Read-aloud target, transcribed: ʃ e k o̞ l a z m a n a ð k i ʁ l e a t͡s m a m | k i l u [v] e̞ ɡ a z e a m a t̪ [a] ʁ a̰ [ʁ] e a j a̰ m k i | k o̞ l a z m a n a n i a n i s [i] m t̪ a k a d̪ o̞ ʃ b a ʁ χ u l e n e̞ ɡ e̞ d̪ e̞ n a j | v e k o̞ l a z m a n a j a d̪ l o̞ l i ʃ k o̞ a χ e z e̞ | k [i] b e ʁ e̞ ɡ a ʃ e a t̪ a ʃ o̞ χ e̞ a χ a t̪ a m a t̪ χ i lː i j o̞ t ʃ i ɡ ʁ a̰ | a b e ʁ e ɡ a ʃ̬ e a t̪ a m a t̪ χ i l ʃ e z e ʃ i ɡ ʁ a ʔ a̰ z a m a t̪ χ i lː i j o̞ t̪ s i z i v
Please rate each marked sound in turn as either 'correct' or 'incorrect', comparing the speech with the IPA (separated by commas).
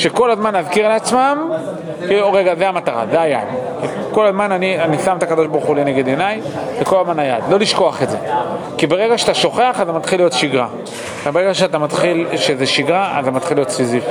incorrect, correct, incorrect, incorrect, correct